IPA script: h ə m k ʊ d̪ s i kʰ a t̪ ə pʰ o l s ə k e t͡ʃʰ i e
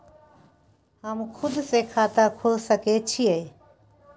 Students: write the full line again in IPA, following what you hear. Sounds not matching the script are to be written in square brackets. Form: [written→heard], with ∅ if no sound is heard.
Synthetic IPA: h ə m [k→kʰ] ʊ d̪ s [i→e] kʰ a t̪ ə [pʰ→kʰ] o l s ə k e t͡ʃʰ i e